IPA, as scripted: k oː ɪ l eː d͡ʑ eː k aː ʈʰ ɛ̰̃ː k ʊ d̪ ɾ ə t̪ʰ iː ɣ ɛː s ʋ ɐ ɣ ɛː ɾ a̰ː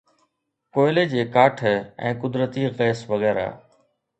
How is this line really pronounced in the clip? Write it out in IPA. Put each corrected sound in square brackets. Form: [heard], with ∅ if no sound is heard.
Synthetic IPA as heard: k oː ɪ l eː d͡ʑ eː k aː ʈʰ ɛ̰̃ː k ʊ d̪ ɾ ə [t̪] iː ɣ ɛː s ʋ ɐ ɣ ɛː ɾ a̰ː